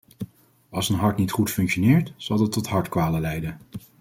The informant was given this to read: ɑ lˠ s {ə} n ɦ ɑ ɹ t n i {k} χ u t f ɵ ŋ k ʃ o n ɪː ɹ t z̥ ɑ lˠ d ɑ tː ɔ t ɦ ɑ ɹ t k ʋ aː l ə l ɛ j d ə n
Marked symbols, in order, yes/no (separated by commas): yes, no